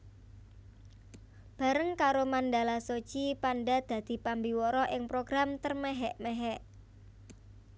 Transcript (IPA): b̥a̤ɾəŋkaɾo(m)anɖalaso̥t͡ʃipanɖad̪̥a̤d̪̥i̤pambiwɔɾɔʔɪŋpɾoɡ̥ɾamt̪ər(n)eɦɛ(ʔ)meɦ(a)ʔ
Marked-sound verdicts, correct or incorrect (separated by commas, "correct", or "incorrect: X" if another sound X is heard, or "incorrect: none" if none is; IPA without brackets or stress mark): correct, incorrect: m, correct, incorrect: ɛ